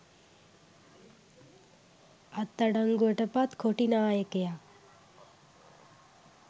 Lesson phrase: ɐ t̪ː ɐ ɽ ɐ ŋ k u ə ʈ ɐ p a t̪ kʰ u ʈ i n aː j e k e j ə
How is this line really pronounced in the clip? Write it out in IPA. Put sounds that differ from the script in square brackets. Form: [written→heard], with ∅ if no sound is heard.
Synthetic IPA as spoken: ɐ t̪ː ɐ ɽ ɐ ŋ [k→ɡ] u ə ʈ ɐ p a t̪ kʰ [u→o] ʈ i n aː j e k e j [ə→a]